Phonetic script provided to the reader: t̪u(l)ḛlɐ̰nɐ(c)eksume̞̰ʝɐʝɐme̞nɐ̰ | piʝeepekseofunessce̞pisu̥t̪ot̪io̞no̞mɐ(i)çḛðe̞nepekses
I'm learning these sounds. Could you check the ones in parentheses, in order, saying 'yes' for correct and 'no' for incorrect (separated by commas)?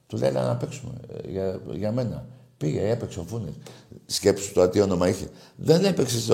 yes, no, yes